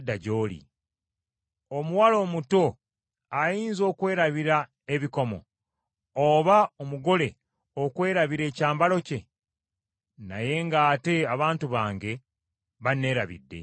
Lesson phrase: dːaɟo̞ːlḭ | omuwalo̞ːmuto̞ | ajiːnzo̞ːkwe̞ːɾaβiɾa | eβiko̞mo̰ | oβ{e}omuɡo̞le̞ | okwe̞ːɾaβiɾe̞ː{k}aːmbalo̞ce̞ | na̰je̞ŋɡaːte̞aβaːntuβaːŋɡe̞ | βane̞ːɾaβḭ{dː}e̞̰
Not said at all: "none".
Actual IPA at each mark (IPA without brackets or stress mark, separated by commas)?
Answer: a, c, dː